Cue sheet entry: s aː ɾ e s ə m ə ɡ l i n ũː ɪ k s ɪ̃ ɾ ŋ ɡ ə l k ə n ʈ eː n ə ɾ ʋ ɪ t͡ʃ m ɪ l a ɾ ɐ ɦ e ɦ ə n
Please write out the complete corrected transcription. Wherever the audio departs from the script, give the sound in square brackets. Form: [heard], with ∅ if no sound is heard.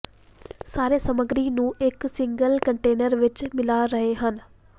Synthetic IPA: s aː ɾ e s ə m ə ɡ [ɾ] i n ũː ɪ k s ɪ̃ [∅] ŋ ɡ ə l k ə [ɳ] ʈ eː n ə ɾ ʋ ɪ t͡ʃ m ɪ l a ɾ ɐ ɦ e ɦ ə n

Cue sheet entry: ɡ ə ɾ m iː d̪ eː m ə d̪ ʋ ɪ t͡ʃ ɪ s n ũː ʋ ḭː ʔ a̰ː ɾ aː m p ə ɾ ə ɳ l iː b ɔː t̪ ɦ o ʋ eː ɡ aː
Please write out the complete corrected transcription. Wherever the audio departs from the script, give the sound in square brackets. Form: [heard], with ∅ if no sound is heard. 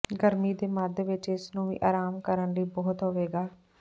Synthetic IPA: ɡ ə ɾ m iː d̪ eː m ə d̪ ʋ ɪ t͡ʃ ɪ s n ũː ʋ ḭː ʔ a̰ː ɾ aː m [k] ə ɾ ə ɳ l iː b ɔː t̪ ɦ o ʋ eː ɡ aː

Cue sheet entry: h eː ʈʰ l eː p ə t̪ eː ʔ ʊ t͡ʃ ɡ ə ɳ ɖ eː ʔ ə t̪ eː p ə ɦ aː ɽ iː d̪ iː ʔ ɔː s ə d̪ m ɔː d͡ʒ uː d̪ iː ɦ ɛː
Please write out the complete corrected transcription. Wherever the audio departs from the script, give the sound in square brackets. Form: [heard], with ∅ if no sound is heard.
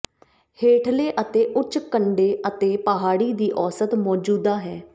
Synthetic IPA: h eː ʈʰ l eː [ʔ] ə t̪ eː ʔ ʊ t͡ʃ [k] ə ɳ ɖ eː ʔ ə t̪ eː p ə ɦ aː ɽ iː d̪ iː ʔ ɔː s ə [t̪] m ɔː d͡ʒ uː d̪ [aː] ɦ ɛː

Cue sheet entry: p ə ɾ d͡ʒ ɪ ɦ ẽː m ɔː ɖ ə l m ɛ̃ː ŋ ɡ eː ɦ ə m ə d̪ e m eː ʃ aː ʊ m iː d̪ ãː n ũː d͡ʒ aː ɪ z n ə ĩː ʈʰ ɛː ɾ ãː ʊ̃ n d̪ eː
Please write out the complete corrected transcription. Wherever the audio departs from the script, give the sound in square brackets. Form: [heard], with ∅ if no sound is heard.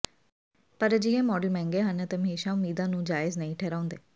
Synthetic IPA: p ə ɾ d͡ʒ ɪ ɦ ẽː m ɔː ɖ ə l m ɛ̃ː ŋ ɡ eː ɦ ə [n] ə [t̪] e m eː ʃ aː ʊ m iː d̪ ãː n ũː d͡ʒ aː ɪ z n ə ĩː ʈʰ ɛː ɾ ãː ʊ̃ n d̪ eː

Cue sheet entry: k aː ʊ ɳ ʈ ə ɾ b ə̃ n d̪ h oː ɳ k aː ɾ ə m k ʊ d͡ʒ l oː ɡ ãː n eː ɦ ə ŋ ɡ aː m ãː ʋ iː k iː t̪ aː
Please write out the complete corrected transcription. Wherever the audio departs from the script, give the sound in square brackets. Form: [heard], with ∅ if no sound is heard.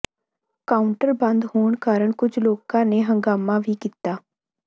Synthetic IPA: k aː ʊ ɳ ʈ ə ɾ b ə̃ n d̪ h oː ɳ k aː ɾ ə [ɳ] k ʊ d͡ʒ l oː [k] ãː n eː ɦ ə ŋ ɡ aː m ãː ʋ iː k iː t̪ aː

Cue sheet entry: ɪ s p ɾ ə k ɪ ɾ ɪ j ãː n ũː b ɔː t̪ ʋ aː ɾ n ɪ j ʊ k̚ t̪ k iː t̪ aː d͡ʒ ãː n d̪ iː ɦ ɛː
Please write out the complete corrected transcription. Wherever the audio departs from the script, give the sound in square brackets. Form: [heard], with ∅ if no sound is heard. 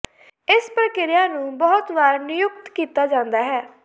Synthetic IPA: ɪ s p ɾ ə k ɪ ɾ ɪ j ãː n ũː b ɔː t̪ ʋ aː ɾ n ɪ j ʊ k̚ t̪ k iː t̪ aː d͡ʒ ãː n d̪ [aː] ɦ ɛː

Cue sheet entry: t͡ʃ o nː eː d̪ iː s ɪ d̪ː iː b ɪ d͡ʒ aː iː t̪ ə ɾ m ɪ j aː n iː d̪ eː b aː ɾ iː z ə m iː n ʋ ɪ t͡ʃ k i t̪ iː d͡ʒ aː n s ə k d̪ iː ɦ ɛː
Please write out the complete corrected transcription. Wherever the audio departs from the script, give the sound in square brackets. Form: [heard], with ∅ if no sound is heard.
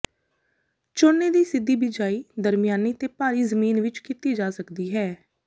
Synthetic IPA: t͡ʃ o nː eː d̪ iː s ɪ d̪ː iː b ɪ d͡ʒ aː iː [d̪] ə ɾ m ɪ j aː n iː [t̪] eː [p] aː ɾ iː z ə m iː n ʋ ɪ t͡ʃ k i t̪ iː d͡ʒ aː [∅] s ə k d̪ iː ɦ ɛː

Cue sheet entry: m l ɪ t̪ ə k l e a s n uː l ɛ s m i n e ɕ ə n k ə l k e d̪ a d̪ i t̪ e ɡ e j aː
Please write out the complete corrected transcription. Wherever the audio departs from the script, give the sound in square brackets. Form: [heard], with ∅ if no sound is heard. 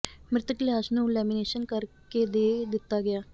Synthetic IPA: m [ɾ] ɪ t̪ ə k l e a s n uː l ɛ [∅] m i n e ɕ ə n k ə [ɾ] k e d̪ [e] d̪ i t̪ [a] ɡ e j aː

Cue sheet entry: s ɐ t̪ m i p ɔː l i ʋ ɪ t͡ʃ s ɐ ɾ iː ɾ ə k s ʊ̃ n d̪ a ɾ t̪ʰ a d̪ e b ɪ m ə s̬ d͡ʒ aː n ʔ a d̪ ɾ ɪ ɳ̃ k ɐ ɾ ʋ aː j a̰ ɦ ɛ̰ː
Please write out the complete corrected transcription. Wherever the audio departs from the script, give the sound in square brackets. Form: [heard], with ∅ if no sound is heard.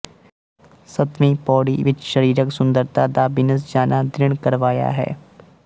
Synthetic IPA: s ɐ t̪ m i p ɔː [ɽ] i ʋ ɪ t͡ʃ [ʃ] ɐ ɾ iː ɾ ə k s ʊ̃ n d̪ [ə] ɾ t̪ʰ a d̪ [a] b ɪ [n] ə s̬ d͡ʒ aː n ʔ a d̪ ɾ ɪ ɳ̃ k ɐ ɾ ʋ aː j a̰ ɦ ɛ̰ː

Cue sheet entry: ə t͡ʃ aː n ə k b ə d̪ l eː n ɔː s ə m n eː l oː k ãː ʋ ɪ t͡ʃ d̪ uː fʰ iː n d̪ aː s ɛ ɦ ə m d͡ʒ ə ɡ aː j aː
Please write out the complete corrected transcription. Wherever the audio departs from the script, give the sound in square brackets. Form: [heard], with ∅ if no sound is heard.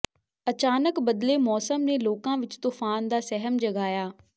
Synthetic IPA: ə t͡ʃ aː n ə k b ə d̪ l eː [m] ɔː s ə m n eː l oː k ãː ʋ ɪ t͡ʃ [t̪] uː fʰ [aː] n d̪ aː s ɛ ɦ ə m d͡ʒ ə ɡ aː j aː

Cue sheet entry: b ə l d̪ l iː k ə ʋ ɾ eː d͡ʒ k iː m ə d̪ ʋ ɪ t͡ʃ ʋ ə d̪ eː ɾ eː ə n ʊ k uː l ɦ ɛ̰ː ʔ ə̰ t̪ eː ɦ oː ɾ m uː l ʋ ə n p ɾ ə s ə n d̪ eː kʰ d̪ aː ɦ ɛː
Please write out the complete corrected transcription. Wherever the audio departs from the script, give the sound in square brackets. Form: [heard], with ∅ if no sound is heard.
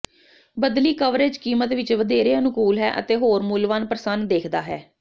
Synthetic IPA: b ə [∅] d̪ l iː k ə ʋ ɾ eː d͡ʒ k iː m ə [t̪] ʋ ɪ t͡ʃ ʋ ə d̪ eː ɾ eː ə n ʊ k uː l ɦ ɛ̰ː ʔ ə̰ t̪ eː ɦ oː ɾ m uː l ʋ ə n p ɾ ə s ə n d̪ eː kʰ d̪ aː ɦ ɛː

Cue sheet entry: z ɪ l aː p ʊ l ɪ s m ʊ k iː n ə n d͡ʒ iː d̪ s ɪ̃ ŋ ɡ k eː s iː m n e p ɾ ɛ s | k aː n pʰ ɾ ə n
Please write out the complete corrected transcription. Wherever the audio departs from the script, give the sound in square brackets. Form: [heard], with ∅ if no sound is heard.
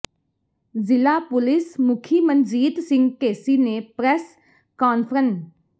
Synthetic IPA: z ɪ l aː p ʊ l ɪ s m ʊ [kʰ] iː [m] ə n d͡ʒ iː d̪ s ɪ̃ ŋ ɡ k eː s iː [∅] n e p ɾ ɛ s | k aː n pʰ ɾ ə n

